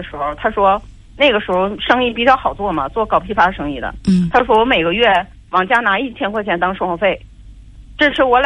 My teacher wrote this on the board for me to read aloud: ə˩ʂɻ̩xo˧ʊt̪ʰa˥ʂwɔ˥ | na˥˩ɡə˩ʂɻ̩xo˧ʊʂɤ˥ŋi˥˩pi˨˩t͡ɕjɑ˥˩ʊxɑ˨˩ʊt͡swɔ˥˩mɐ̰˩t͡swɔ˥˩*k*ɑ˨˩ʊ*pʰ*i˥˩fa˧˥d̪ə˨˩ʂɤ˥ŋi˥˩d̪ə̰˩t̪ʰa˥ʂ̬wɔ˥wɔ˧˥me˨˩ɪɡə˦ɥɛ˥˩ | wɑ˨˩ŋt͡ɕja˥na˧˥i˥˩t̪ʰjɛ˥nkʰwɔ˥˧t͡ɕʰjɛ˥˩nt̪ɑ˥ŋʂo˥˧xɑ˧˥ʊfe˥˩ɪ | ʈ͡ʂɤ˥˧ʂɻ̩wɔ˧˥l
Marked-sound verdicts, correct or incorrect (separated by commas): correct, correct